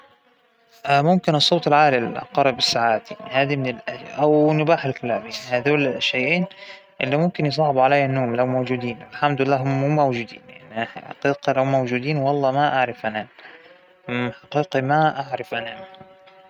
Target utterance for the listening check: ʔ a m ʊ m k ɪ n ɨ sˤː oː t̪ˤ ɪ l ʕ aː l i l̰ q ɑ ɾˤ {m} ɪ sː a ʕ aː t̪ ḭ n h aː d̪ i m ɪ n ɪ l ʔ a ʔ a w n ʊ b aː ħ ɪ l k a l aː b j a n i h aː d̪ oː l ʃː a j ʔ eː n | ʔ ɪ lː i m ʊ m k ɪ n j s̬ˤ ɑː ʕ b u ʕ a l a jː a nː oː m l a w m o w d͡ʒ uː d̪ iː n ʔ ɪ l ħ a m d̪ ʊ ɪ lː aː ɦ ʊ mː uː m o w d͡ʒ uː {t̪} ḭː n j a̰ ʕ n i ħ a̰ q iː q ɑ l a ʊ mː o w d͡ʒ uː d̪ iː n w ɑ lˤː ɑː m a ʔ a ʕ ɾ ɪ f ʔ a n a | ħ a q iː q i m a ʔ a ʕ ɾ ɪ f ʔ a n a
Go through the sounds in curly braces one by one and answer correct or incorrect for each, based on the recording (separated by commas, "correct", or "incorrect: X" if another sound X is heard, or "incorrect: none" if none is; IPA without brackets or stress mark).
incorrect: b, incorrect: d̪